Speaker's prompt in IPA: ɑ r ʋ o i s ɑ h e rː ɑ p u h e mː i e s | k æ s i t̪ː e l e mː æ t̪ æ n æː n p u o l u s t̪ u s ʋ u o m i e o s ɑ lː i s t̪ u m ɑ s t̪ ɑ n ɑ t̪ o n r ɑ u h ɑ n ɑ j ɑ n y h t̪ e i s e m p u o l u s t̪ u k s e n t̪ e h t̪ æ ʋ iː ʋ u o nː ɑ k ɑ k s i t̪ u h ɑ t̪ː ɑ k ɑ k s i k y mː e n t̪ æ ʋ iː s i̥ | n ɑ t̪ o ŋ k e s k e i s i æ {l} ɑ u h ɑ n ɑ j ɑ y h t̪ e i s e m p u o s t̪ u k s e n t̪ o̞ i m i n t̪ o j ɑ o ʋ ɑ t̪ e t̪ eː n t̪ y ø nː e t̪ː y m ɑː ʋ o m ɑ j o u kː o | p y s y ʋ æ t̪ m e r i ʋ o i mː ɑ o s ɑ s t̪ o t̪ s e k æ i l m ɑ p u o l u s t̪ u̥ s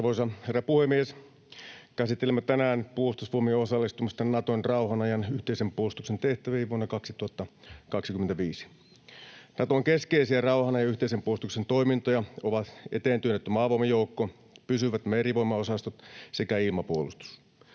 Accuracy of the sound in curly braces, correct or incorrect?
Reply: incorrect